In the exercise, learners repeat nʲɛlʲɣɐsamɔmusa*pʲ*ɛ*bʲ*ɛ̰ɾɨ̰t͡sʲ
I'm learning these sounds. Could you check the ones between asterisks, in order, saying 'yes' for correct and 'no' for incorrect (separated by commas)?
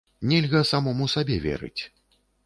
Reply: no, no